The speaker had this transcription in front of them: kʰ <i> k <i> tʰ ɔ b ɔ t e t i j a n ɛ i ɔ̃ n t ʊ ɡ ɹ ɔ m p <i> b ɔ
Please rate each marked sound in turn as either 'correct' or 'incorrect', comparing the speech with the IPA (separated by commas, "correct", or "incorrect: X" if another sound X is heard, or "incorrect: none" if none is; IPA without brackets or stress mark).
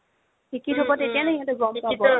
correct, correct, incorrect: a